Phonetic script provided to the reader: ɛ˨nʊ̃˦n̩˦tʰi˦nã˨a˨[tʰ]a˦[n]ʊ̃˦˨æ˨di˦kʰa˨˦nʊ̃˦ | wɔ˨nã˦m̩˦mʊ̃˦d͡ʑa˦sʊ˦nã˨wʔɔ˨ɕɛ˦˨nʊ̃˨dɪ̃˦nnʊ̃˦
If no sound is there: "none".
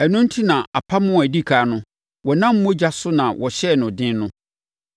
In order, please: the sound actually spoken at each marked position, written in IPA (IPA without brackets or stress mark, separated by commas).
pʰ, m